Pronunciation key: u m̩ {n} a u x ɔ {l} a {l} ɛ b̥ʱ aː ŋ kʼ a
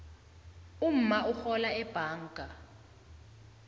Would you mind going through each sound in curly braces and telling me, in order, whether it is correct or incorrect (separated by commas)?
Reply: incorrect, correct, incorrect